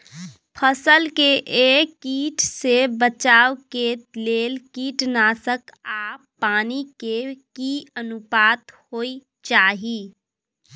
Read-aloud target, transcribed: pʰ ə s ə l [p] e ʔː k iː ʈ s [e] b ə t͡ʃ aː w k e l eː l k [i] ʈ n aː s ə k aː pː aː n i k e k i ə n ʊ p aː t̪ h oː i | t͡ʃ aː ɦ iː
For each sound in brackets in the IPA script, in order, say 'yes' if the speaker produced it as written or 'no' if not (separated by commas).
no, yes, no